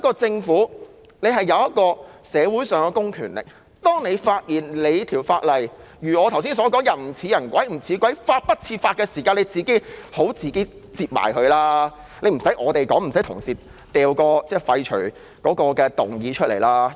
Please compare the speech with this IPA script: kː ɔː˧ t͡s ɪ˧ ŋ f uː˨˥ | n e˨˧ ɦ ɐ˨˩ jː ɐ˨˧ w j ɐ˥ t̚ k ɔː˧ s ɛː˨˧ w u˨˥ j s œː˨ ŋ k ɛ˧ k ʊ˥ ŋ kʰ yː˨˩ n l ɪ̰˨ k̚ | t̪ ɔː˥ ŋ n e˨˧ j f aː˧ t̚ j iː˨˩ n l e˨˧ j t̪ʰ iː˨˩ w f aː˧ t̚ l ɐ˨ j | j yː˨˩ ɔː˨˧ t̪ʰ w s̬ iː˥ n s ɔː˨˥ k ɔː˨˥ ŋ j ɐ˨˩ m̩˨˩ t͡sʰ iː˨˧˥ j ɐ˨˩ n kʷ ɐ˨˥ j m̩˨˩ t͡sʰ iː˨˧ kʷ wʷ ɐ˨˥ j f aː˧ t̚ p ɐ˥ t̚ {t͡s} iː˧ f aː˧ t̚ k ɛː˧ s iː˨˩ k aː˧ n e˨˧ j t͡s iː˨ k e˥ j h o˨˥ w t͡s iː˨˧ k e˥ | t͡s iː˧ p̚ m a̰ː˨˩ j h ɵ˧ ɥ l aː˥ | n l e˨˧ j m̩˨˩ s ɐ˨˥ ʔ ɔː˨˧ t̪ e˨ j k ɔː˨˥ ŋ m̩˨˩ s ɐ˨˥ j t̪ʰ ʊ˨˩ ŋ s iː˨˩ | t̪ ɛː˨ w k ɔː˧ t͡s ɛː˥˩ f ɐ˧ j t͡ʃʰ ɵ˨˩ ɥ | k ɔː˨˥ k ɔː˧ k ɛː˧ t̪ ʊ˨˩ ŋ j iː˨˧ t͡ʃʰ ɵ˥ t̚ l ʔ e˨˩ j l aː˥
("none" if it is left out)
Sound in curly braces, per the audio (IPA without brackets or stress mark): t͡sʰ